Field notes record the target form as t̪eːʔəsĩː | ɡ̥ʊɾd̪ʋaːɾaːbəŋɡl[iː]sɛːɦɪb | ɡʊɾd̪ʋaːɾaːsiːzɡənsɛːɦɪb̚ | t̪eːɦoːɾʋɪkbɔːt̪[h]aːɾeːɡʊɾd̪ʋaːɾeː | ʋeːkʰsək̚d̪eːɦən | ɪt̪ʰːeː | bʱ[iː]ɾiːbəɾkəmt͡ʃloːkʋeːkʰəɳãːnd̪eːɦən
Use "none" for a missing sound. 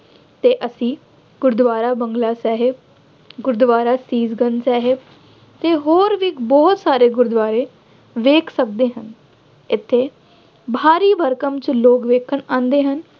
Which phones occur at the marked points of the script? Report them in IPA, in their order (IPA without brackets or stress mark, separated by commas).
aː, s, aː